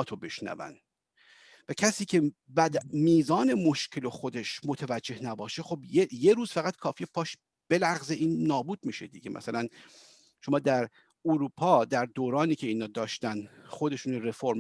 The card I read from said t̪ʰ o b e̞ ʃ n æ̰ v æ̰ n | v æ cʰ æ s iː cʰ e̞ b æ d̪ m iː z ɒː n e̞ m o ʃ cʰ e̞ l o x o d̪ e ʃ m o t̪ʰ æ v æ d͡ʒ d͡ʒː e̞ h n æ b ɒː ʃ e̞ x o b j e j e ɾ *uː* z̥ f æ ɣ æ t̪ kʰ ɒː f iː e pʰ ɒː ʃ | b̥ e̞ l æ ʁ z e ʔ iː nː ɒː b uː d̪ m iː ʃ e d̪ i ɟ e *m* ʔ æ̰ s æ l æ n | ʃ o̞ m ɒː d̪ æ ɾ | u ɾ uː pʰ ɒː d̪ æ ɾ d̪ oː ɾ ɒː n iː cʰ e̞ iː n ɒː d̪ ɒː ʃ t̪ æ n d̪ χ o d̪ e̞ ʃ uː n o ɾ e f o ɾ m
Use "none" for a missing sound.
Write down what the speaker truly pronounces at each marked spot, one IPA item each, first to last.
uː, m

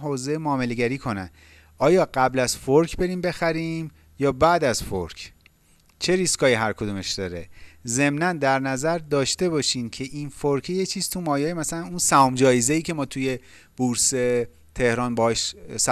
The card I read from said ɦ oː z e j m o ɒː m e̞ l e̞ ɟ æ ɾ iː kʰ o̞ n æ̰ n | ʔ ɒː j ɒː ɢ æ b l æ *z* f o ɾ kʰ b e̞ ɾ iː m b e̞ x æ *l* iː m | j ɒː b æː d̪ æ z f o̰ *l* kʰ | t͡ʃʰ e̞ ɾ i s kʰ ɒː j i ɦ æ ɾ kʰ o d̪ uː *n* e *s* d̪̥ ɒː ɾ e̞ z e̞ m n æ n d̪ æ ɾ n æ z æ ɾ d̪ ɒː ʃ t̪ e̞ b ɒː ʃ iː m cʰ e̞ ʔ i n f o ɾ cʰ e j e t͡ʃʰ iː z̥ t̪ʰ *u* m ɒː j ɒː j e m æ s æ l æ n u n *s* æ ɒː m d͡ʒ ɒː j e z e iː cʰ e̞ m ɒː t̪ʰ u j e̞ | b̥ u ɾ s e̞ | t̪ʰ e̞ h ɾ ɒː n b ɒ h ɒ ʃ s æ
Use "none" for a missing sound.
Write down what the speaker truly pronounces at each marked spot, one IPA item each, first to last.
z, ɾ, ɾ, m, ʃ, u, s

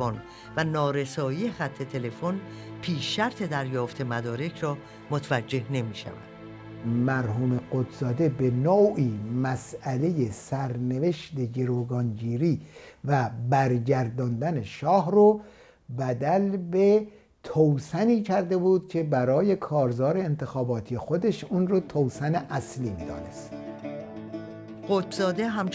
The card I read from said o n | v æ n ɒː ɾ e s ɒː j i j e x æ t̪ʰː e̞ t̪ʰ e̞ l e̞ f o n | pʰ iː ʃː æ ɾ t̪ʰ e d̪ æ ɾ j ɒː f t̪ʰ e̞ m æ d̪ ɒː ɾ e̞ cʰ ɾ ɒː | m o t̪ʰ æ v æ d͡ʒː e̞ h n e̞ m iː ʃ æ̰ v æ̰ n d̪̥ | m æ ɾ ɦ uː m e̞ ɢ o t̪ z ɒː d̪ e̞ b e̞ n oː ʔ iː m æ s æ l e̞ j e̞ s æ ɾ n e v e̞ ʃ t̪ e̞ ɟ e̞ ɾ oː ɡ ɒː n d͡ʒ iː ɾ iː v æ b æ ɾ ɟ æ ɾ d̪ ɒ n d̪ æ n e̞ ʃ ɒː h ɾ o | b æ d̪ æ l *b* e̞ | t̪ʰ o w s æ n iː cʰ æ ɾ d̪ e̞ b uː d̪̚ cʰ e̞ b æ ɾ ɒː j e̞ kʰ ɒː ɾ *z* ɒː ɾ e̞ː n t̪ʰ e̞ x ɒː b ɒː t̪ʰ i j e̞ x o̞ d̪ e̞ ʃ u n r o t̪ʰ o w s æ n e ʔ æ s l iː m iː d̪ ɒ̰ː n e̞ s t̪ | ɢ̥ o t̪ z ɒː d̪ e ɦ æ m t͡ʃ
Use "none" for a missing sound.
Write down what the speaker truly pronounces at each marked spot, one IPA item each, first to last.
b, z

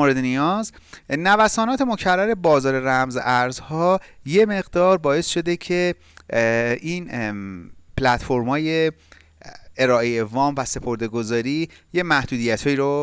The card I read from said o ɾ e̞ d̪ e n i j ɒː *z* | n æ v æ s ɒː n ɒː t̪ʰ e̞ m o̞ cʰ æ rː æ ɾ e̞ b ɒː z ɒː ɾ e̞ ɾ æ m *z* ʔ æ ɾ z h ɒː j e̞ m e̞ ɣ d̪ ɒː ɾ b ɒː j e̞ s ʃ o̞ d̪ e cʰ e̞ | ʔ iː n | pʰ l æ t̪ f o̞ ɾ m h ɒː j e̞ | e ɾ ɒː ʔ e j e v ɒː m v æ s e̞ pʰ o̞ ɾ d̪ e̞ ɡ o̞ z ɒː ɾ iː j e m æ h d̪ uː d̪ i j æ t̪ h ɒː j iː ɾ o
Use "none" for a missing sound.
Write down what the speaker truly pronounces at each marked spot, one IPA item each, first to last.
z, z

